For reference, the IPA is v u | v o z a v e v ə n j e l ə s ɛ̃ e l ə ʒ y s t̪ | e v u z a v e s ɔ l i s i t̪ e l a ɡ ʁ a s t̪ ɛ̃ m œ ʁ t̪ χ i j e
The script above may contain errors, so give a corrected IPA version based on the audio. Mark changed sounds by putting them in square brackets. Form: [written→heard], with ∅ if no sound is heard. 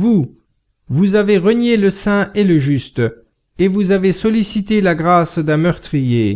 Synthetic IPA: v u | v [o→u] z a v e [v→ʁ] ə n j e l ə s ɛ̃ e l ə ʒ y s t̪ | e v u z a v e s ɔ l i s i t̪ e l a ɡ ʁ a s [t̪→d̪] ɛ̃ m œ ʁ t̪ χ i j e